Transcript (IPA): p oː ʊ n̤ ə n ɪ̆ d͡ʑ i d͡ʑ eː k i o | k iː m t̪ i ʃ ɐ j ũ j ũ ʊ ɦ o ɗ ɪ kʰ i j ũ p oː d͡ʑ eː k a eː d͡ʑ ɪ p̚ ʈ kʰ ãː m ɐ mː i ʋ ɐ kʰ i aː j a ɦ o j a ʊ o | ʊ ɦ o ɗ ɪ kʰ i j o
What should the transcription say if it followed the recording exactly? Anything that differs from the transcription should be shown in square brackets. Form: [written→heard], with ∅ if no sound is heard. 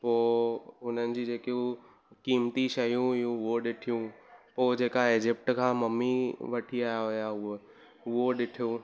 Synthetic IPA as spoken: p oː ʊ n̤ ə n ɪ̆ d͡ʑ i d͡ʑ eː k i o | k iː m t̪ i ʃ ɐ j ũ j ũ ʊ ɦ o ɗ ɪ [kʰ→ʈʰ] i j ũ p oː d͡ʑ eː k a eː d͡ʑ ɪ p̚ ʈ kʰ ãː m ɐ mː i ʋ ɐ [kʰ→ʈʰ] i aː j a ɦ o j a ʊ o | ʊ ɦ o ɗ ɪ [kʰ→ʈʰ] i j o